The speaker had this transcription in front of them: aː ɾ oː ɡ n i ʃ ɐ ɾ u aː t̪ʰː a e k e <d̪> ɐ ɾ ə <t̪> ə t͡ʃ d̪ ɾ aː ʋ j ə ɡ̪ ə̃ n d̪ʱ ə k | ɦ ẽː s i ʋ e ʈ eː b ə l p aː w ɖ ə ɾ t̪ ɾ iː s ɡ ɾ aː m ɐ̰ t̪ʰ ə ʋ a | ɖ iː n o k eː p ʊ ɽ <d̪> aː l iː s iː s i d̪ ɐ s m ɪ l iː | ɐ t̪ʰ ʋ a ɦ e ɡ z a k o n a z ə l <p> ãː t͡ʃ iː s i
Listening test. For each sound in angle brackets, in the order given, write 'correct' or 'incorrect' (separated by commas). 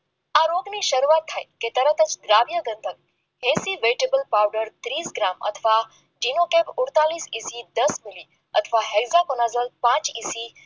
incorrect, correct, incorrect, correct